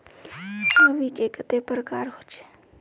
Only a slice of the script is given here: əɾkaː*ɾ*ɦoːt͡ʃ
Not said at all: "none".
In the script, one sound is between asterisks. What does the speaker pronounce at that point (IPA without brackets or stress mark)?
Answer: ɾ